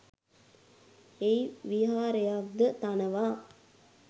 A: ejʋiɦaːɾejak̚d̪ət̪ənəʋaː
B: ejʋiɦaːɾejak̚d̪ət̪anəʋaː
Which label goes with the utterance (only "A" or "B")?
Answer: B